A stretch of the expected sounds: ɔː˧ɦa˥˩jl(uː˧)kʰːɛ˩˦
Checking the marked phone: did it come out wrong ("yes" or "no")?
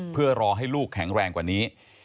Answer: yes